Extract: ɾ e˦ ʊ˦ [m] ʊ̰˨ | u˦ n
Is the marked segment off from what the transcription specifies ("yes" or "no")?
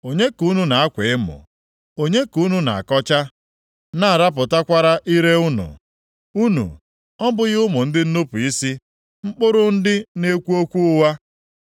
yes